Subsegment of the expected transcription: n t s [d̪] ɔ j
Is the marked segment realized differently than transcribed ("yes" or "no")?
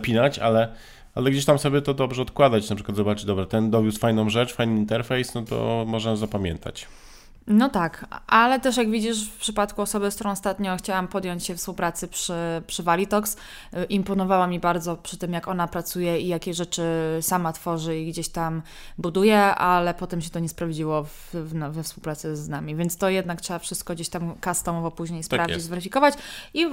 yes